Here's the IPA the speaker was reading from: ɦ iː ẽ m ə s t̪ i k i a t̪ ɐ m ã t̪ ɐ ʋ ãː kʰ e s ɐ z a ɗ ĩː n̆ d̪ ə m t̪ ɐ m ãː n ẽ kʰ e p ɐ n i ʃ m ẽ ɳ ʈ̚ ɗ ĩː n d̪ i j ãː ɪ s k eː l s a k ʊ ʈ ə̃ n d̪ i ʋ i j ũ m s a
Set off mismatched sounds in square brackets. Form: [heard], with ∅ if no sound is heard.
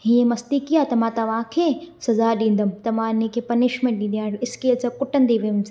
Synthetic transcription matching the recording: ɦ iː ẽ m [ɐ] s t̪ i k i a t̪ ɐ m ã t̪ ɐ ʋ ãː kʰ e s ɐ z a ɗ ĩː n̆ d̪ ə m t̪ ɐ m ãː n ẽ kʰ e p ɐ n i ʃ m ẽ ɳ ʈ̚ ɗ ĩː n d̪ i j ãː ɪ s k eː l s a k ʊ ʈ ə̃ n d̪ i ʋ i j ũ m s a

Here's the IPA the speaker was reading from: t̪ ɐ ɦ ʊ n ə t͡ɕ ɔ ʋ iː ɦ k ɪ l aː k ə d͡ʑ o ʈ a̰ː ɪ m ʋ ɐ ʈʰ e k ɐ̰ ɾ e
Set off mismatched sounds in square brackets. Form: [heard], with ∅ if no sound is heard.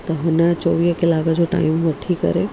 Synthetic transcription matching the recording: t̪ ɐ ɦ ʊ n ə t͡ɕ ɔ ʋ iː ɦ k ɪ l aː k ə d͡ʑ o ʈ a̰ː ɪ m ʋ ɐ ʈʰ [i] k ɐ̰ ɾ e

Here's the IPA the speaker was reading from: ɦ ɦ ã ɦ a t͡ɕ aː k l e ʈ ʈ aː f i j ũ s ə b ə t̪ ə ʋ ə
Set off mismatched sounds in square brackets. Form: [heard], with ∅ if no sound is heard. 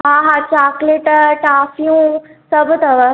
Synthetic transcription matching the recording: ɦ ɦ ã ɦ a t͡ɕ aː k l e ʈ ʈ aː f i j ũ s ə b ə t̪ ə ʋ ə

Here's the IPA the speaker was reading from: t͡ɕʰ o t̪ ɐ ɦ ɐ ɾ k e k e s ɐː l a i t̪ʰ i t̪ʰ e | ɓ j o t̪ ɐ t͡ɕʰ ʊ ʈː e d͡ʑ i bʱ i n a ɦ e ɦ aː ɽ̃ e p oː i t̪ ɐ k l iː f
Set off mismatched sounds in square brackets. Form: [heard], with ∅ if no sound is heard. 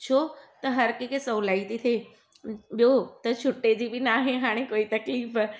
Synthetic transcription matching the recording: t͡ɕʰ o t̪ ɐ ɦ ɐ ɾ k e k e s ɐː l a i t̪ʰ i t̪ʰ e | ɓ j o t̪ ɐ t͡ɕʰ ʊ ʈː e d͡ʑ i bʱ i n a ɦ e ɦ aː ɽ̃ e [k] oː i t̪ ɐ k l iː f

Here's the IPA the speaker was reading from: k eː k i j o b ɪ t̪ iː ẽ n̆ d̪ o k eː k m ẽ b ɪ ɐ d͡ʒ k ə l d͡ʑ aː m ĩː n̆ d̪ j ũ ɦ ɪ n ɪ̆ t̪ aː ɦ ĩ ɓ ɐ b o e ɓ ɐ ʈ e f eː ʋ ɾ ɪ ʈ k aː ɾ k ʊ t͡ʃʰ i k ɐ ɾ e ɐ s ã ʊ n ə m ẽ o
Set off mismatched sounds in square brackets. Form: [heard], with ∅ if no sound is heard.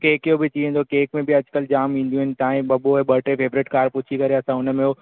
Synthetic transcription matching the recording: k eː k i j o b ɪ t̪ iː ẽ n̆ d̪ o k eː k m ẽ b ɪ ɐ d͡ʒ k ə l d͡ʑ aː m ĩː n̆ d̪ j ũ ɦ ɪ n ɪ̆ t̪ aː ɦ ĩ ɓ ɐ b o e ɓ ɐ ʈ e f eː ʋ ɾ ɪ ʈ k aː ɾ [p] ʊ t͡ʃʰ i k ɐ ɾ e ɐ s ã ʊ n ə m ẽ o

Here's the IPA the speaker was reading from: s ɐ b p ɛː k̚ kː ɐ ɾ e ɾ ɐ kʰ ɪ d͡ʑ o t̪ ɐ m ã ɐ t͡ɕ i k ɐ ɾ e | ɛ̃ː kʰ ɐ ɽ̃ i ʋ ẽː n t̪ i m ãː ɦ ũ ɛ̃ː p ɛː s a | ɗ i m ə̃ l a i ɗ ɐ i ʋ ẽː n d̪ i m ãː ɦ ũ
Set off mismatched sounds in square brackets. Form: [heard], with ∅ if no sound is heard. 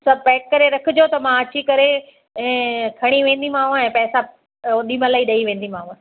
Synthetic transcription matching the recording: s ɐ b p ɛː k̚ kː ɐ ɾ e ɾ ɐ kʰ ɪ d͡ʑ o t̪ ɐ m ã ɐ t͡ɕ i k ɐ ɾ e | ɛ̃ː kʰ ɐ ɽ̃ i ʋ ẽː n [d̪] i m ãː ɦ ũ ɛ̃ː p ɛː s a | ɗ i m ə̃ l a i ɗ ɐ i ʋ ẽː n d̪ i m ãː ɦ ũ

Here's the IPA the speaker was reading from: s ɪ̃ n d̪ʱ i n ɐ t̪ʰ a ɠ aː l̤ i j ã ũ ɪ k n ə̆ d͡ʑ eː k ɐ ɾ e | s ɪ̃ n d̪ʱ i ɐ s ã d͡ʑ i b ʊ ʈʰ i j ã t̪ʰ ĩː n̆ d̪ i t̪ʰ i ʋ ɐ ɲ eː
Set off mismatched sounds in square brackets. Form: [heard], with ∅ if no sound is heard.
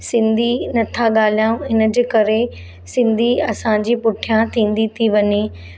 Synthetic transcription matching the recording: s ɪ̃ n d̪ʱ i n ɐ t̪ʰ a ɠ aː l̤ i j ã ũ ɪ [∅] n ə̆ d͡ʑ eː k ɐ ɾ e | s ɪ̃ n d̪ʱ i ɐ s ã d͡ʑ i [p] ʊ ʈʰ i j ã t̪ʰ ĩː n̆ d̪ i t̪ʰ i ʋ ɐ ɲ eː

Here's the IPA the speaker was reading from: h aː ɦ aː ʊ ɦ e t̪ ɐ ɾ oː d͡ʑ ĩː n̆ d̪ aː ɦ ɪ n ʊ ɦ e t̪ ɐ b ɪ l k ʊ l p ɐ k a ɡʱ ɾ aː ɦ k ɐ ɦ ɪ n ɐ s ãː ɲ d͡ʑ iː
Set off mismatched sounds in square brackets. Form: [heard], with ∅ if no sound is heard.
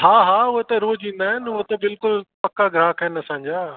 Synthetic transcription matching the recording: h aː ɦ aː ʊ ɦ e t̪ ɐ ɾ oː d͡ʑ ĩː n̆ d̪ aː ɦ ɪ n ʊ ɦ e t̪ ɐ b ɪ l k ʊ l p ɐ k a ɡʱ ɾ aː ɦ k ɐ ɦ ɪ n ɐ s ãː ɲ d͡ʑ [aː]

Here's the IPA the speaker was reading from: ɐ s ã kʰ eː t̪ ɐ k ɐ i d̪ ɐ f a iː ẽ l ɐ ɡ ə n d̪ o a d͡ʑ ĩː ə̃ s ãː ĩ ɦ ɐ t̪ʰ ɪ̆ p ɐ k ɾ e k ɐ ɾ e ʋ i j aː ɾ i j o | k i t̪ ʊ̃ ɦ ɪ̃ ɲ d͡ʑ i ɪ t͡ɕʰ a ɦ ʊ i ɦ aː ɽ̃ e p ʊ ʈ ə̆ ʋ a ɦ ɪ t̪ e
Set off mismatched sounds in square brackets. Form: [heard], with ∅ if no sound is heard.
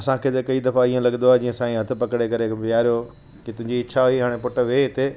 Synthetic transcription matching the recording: ɐ s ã kʰ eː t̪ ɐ k ɐ i d̪ ɐ f a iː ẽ l ɐ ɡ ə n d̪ o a d͡ʑ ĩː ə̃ s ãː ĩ ɦ ɐ t̪ʰ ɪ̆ p ɐ k [ɽ] e k ɐ ɾ e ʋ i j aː ɾ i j o | k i t̪ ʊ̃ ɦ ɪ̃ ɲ d͡ʑ i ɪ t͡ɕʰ a ɦ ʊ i ɦ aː ɽ̃ e p ʊ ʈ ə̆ ʋ [e] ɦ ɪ t̪ e

